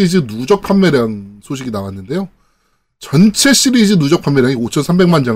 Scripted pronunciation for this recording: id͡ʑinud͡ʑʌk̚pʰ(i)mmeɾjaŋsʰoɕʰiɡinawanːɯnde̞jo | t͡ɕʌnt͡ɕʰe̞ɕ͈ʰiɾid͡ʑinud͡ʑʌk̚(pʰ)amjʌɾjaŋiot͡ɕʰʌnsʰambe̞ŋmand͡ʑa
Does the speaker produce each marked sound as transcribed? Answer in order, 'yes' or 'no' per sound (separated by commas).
no, yes